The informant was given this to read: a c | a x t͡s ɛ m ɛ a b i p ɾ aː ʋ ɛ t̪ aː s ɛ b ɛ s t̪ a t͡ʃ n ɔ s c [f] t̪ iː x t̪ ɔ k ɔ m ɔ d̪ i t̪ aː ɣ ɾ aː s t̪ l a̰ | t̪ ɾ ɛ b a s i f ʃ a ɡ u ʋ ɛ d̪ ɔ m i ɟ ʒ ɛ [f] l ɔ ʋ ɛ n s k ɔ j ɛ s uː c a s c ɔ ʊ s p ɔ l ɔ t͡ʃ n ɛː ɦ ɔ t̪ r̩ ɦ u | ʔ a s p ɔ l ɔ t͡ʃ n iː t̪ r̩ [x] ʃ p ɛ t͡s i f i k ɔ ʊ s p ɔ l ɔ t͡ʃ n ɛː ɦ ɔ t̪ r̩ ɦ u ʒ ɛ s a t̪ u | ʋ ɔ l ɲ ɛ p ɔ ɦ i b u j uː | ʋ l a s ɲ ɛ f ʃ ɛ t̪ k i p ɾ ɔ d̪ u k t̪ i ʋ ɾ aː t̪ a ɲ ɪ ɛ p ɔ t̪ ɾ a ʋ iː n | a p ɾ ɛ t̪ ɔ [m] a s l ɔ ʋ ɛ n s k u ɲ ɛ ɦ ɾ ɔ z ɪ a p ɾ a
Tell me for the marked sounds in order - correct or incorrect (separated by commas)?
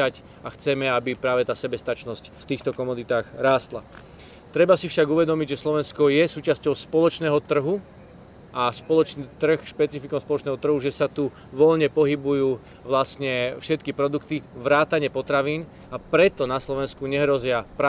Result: correct, incorrect, correct, incorrect